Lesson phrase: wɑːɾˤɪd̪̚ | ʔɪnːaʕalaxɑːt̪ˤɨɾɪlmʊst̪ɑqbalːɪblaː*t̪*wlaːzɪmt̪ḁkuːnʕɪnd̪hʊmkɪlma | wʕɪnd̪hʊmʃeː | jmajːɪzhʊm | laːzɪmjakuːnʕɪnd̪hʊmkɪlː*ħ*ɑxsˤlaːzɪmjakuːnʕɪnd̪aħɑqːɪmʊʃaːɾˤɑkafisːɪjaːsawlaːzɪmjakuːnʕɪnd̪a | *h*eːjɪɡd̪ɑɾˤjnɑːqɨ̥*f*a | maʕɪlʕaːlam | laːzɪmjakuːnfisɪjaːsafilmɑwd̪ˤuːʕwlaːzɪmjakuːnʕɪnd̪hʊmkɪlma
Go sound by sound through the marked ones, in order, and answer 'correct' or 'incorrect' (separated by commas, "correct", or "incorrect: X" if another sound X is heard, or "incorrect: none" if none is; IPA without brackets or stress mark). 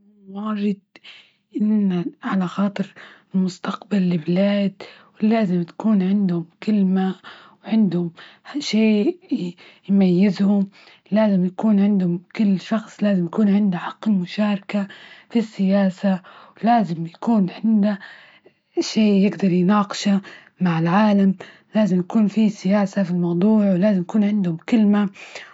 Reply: incorrect: d̪, incorrect: ʃ, incorrect: ʃ, incorrect: ʃ